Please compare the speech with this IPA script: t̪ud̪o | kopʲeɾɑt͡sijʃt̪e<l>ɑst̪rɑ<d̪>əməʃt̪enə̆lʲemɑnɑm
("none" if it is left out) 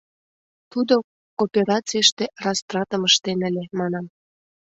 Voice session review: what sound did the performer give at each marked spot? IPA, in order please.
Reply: r, t̪

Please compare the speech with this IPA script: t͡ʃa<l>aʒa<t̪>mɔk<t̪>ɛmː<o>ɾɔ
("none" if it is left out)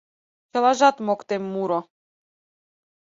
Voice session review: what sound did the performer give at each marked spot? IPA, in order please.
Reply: l, t̪, t̪, u

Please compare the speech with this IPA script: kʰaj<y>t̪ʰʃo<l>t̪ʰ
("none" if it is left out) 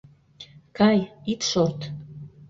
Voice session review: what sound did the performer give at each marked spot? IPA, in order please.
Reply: i, r

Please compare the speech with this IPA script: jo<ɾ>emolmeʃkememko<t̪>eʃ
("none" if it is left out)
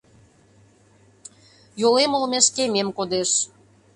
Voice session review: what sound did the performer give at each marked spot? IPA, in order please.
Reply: l, d̪

